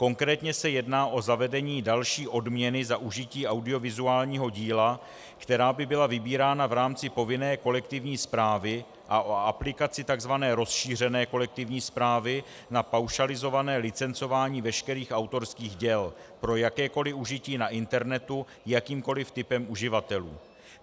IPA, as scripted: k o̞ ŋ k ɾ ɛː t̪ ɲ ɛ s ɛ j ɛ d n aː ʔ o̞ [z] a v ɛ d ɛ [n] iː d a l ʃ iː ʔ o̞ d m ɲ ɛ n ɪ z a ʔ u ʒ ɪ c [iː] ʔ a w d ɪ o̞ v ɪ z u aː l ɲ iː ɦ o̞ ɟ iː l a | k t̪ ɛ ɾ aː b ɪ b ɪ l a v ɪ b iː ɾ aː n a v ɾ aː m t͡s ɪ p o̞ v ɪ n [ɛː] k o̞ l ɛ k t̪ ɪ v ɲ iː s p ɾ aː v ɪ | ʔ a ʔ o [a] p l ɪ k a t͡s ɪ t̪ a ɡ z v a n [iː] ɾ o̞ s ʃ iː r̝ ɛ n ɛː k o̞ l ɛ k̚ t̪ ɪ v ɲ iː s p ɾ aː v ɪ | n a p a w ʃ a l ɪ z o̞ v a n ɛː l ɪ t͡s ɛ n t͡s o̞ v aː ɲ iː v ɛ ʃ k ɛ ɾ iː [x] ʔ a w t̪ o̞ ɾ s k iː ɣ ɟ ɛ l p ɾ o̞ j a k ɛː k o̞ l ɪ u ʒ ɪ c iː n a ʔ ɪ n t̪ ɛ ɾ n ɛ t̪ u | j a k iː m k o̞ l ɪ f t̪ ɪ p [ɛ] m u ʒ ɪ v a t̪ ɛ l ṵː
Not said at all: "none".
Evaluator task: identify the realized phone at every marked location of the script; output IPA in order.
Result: z, ɲ, iː, ɛː, a, ɛː, x, ɛ

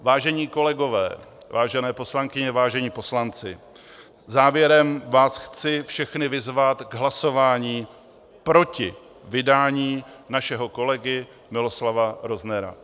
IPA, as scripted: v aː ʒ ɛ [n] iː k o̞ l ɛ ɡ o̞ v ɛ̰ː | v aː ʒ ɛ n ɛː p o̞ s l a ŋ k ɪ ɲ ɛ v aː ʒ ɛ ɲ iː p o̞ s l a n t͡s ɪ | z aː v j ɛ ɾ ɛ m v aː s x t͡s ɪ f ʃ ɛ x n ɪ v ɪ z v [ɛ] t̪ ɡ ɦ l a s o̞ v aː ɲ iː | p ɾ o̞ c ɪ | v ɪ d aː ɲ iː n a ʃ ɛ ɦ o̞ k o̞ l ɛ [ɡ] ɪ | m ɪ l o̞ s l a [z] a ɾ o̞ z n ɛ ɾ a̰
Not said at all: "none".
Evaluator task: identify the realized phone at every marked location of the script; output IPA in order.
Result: ɲ, a, ɡ, v

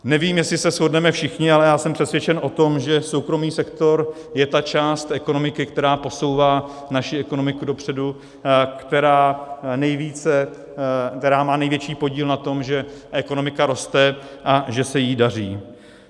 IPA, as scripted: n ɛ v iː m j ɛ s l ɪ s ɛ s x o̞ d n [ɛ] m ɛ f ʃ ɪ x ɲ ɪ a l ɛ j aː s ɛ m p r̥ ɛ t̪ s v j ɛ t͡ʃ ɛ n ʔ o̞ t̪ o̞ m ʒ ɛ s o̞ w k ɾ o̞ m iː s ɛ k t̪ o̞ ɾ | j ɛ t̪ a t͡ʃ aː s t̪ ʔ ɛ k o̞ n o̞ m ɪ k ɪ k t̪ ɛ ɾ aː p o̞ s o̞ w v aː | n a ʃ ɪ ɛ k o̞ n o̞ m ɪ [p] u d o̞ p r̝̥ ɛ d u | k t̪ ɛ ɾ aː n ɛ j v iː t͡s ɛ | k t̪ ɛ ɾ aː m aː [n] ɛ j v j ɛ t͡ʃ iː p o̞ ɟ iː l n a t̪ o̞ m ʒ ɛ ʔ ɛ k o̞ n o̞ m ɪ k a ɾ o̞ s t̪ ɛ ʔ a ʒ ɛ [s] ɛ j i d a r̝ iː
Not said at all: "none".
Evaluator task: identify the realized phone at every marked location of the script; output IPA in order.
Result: ɛ, k, n, s

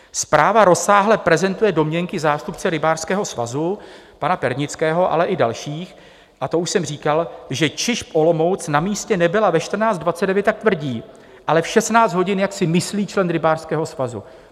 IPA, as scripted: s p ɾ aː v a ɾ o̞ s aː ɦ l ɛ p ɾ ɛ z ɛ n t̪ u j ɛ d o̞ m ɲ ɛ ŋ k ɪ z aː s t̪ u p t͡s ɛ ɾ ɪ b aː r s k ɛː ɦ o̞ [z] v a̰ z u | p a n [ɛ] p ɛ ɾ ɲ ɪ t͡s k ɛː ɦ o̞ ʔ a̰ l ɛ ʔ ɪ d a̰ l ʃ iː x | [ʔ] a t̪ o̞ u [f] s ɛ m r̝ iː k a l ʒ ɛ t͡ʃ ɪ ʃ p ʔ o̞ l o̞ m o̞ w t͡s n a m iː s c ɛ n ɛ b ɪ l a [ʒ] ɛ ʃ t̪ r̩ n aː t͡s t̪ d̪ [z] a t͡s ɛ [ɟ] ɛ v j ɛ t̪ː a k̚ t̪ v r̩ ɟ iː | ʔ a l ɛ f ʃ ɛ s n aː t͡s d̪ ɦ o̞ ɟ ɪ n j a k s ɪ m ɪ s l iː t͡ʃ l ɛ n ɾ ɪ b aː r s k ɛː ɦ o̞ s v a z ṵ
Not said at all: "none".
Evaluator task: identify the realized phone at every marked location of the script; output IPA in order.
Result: s, a, ʔ, ʃ, v, v, d

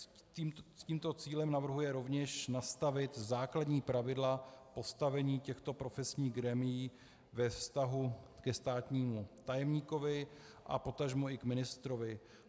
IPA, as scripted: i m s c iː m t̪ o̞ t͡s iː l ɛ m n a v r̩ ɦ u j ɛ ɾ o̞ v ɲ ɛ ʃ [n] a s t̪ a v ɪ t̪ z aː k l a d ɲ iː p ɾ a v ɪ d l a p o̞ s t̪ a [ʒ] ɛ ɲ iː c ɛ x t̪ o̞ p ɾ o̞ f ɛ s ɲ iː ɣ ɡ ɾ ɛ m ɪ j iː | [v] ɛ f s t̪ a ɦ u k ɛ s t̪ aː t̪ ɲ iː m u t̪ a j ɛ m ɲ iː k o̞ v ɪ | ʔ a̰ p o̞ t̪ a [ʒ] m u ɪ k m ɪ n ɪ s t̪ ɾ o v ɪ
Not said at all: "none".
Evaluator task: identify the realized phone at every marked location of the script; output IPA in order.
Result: n, v, v, ʒ

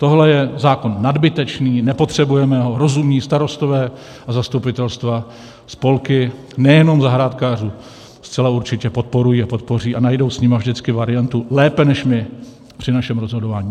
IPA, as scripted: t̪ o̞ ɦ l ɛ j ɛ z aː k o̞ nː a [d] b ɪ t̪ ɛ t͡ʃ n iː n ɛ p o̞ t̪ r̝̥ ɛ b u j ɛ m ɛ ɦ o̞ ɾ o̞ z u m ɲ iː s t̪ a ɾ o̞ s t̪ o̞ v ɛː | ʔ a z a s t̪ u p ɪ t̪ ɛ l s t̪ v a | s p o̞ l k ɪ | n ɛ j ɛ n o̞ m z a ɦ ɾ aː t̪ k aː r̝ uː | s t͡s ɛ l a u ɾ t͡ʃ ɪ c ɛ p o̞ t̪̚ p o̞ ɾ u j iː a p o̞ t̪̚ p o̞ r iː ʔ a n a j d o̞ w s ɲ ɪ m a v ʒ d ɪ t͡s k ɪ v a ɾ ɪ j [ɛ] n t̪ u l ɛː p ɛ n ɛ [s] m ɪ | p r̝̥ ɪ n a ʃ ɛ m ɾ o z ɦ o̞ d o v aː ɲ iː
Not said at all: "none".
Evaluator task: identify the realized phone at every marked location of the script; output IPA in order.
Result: d, a, ʃ

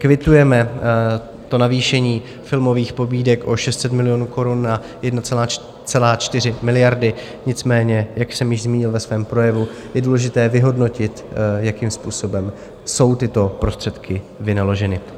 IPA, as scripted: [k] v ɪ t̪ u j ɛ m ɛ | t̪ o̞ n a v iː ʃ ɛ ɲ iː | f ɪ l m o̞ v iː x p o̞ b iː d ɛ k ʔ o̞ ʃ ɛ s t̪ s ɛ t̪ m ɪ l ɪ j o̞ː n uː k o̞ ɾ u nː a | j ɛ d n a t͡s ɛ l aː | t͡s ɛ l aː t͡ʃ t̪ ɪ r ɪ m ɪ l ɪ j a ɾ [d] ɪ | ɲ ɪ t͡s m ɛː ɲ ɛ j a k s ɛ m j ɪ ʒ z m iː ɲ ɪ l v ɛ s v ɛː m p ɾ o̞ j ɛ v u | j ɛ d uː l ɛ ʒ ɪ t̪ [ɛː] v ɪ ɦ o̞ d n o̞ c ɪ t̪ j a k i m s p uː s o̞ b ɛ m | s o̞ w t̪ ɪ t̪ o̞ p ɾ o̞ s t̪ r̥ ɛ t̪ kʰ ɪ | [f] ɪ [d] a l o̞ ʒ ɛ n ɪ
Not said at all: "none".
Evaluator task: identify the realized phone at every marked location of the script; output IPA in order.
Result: k, d, ɛː, v, n

